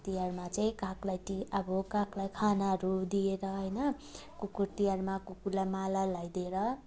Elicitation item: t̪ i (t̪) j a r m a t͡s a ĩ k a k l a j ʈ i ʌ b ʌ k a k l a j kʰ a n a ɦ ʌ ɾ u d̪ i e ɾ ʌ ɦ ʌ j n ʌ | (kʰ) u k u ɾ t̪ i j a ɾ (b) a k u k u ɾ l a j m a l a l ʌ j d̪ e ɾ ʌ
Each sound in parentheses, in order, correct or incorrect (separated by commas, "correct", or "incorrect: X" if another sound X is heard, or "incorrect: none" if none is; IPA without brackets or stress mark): incorrect: none, incorrect: k, incorrect: m